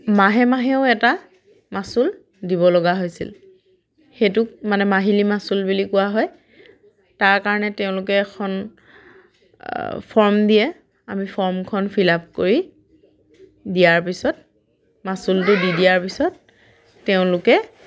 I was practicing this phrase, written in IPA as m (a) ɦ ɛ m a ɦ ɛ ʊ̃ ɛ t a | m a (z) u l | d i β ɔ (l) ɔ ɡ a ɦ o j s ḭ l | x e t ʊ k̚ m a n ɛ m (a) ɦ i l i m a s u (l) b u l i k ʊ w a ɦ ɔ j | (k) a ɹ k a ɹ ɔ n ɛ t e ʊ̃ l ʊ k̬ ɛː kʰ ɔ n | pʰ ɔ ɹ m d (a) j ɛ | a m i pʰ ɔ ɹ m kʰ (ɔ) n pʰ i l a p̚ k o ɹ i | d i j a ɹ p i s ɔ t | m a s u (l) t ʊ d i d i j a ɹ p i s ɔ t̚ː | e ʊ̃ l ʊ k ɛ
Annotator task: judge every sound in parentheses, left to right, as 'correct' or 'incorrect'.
correct, incorrect: s, correct, correct, correct, incorrect: t, incorrect: i, correct, correct

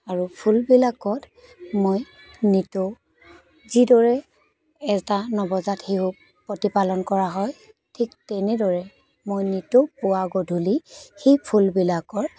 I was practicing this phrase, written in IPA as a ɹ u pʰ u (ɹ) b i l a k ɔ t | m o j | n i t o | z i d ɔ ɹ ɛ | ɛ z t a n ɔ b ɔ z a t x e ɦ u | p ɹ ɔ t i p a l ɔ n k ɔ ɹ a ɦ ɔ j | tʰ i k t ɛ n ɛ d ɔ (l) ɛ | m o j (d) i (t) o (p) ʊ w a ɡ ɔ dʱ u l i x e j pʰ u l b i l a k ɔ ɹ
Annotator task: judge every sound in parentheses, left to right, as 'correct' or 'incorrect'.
incorrect: l, incorrect: ɹ, incorrect: n, correct, correct

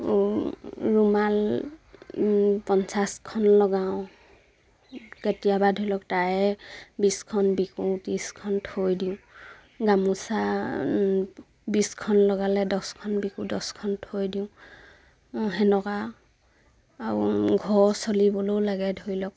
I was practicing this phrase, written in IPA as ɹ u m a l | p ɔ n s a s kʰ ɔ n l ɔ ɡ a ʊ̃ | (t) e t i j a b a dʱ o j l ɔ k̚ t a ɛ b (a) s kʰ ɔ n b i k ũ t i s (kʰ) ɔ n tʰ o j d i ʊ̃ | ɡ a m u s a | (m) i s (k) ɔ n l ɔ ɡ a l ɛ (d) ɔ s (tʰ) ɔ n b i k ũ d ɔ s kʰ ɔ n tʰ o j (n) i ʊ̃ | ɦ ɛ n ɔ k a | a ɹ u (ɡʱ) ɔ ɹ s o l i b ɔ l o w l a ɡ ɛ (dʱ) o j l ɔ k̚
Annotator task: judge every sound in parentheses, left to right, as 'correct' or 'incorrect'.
incorrect: k, incorrect: i, correct, incorrect: b, incorrect: kʰ, correct, incorrect: kʰ, incorrect: d, correct, correct

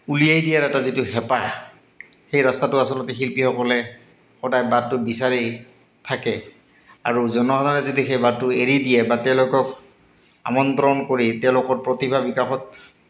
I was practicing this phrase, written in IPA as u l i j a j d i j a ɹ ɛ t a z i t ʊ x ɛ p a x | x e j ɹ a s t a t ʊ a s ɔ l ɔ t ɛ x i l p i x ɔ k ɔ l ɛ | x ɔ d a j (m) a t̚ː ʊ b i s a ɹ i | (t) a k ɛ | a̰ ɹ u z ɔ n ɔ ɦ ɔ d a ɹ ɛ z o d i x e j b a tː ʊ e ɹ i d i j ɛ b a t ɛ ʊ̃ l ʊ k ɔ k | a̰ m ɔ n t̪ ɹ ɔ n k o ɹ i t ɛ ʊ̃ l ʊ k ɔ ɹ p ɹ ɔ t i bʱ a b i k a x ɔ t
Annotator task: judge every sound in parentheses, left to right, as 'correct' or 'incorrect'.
incorrect: b, incorrect: tʰ

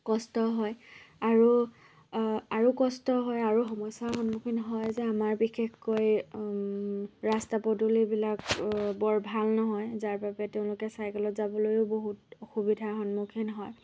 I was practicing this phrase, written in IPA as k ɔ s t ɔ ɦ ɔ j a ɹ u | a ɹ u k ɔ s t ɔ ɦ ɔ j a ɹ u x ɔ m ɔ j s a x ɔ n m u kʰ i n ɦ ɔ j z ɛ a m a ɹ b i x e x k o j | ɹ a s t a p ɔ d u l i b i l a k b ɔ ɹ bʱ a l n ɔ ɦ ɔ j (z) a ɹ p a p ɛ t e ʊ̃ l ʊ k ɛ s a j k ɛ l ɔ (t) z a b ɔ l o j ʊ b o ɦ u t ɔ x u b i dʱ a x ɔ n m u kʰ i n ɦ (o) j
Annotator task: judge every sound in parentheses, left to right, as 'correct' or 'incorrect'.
correct, correct, incorrect: ɔ

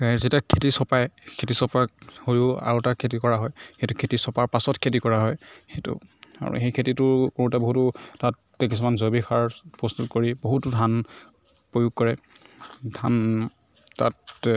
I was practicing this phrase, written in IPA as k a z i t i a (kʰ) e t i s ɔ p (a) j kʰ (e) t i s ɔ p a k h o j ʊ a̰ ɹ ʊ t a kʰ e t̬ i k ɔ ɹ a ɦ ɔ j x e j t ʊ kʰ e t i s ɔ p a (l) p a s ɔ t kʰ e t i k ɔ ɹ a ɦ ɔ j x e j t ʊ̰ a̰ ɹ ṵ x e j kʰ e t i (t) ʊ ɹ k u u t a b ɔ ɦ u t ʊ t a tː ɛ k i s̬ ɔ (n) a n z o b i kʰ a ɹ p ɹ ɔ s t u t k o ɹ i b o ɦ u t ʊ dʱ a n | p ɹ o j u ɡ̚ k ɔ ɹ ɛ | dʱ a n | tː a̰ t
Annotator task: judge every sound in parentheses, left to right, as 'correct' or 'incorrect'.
correct, correct, correct, incorrect: ɹ, correct, incorrect: m

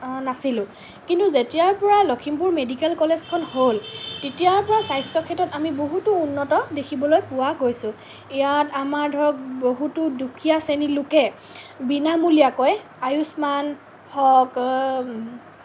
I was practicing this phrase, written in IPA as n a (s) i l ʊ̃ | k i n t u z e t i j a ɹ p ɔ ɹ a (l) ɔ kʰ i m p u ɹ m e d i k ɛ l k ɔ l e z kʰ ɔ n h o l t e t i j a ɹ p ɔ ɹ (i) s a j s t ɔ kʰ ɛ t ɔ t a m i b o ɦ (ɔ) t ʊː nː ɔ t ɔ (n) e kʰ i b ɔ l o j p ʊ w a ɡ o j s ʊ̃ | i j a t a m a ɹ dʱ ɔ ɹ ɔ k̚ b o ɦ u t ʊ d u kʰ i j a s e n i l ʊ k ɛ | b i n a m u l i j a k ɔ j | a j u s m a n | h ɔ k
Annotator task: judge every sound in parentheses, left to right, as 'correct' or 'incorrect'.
correct, correct, incorrect: a, incorrect: u, incorrect: d

